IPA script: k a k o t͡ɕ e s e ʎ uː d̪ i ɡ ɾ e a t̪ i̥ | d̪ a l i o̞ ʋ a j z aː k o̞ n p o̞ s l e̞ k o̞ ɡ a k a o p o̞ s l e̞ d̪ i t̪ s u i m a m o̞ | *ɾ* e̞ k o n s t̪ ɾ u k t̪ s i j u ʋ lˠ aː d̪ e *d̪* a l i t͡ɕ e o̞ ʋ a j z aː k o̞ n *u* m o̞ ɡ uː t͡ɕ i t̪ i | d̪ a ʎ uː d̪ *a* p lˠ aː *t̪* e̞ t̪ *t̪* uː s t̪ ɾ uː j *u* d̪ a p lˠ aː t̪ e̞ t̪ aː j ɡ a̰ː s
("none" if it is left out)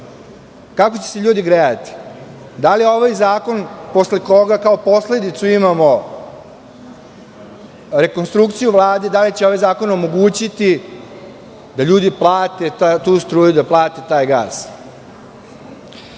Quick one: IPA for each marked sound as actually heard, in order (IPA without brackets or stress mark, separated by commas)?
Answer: ɾ, d̪, o, i, t̪, t̪, u